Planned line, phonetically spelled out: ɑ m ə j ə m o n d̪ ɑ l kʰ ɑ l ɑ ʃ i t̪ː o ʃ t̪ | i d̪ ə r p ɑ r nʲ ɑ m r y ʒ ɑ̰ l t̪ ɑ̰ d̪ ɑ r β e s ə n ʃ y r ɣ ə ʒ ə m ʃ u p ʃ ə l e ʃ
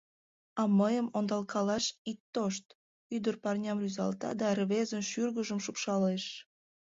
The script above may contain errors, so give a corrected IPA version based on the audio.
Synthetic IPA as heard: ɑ m ə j ə m o n d̪ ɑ l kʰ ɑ l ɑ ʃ i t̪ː o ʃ t̪ | y d̪ ə r p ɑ r nʲ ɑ m r y z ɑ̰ l t̪ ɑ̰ d̪ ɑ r β e z ə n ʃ y r ɣ ə ʒ ə m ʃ u p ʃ ɑ l e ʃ